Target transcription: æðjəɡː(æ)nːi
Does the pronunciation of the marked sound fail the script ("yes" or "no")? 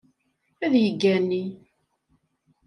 no